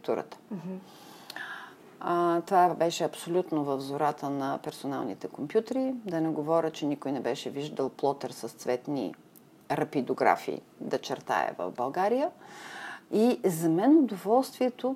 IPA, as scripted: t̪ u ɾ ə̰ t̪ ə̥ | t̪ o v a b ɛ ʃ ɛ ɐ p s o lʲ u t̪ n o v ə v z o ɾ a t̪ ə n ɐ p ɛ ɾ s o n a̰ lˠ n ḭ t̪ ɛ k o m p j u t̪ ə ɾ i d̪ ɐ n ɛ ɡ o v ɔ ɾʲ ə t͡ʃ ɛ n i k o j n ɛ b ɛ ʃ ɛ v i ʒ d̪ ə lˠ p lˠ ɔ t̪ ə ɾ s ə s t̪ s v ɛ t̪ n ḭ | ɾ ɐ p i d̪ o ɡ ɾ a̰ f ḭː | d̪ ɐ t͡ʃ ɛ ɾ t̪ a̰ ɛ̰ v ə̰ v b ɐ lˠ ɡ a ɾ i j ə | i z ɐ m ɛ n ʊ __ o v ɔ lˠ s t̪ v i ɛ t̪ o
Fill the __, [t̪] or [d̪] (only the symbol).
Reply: d̪